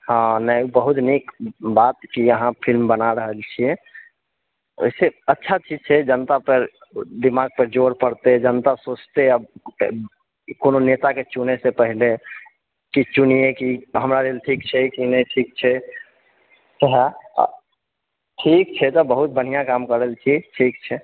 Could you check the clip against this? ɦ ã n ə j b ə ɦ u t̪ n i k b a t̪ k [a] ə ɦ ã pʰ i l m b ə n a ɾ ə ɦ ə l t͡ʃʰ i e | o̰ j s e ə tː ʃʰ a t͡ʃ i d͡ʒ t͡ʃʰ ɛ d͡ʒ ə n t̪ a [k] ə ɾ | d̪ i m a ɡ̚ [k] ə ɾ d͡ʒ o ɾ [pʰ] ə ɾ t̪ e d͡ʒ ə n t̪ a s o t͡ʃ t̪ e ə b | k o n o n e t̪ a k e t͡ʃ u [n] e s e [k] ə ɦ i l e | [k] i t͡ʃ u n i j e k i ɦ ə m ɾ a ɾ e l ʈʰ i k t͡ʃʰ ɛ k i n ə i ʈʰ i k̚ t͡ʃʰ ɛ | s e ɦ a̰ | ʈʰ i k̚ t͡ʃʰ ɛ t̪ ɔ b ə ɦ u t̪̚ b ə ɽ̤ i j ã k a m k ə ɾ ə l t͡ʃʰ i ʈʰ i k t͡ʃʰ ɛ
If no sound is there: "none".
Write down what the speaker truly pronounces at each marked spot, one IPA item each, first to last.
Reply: i, p, p, p, n, p, k

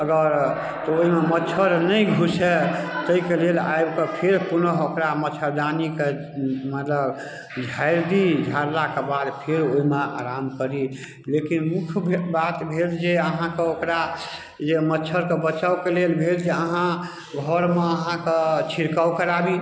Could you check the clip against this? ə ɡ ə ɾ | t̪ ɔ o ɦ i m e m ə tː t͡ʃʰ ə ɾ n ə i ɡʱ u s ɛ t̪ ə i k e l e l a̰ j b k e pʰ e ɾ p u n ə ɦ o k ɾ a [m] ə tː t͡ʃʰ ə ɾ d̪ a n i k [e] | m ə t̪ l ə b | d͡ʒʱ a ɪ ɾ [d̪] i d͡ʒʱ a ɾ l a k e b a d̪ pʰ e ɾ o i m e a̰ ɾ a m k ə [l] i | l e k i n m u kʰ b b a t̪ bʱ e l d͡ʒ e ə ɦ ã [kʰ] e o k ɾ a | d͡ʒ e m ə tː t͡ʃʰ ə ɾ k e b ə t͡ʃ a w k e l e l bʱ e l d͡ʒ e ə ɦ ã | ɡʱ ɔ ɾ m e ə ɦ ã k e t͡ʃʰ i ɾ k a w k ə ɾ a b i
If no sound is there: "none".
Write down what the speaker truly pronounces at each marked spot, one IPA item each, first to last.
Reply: m, e, d̪, ɾ, k

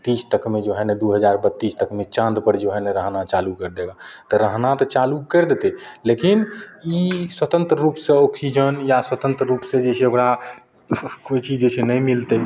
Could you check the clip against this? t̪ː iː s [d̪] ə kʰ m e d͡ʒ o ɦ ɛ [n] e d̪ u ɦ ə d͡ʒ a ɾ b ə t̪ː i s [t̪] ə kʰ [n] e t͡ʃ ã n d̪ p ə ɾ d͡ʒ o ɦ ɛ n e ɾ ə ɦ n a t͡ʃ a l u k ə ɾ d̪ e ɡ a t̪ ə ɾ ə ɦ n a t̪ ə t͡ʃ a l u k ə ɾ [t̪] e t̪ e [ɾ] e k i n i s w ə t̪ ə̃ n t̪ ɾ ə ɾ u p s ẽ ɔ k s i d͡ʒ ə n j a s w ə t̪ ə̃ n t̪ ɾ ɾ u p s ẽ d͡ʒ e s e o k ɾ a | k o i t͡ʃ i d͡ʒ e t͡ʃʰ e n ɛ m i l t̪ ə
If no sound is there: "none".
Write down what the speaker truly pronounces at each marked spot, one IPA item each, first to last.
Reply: t̪, n, t̪, m, d̪, l

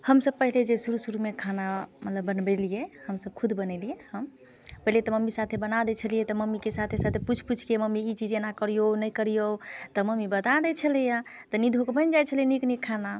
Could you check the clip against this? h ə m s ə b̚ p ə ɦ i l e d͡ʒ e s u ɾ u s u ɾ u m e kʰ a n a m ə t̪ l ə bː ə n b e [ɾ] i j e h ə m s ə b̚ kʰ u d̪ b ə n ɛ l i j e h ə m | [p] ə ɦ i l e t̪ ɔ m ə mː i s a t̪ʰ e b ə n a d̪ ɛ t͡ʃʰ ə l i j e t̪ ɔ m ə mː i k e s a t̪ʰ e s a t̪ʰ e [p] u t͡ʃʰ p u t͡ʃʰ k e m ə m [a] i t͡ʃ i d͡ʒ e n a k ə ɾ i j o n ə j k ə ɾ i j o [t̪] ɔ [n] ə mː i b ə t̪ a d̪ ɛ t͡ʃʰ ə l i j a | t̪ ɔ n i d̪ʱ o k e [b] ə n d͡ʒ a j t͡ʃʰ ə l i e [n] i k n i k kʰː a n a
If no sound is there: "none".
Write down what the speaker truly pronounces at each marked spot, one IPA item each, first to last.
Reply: l, p, p, i, t̪, m, b, n

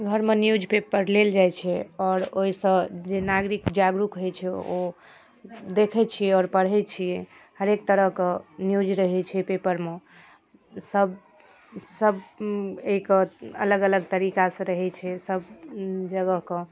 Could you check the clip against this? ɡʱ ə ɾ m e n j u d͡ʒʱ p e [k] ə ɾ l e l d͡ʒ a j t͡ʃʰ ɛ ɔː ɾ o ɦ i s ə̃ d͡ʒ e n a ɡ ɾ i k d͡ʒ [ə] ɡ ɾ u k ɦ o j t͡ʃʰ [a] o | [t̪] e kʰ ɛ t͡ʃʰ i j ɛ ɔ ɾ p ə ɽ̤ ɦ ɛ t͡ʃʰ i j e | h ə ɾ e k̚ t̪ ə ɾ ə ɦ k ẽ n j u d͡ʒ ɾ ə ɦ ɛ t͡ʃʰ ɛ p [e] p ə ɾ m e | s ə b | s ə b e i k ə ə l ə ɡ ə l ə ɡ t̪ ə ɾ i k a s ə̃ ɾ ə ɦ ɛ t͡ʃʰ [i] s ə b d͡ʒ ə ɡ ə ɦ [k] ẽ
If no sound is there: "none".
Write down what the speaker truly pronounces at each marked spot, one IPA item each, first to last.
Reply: p, a, ɛ, d̪, e, ɛ, k

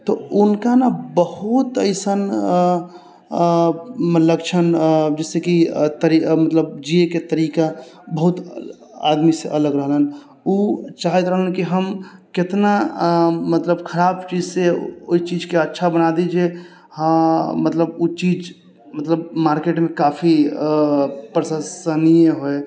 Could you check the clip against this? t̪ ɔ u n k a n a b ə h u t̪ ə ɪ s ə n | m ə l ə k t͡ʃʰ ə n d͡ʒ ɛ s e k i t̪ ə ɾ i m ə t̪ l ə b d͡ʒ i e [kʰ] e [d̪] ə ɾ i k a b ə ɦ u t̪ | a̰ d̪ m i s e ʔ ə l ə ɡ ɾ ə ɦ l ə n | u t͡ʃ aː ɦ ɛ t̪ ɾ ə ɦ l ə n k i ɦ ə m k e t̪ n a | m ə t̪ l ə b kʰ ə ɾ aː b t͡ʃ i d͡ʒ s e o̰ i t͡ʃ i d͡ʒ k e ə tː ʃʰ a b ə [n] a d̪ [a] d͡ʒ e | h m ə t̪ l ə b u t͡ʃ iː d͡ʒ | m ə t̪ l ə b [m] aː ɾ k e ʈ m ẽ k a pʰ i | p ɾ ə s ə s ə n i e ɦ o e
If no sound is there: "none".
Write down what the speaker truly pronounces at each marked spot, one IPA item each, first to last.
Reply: k, t̪, n, i, m

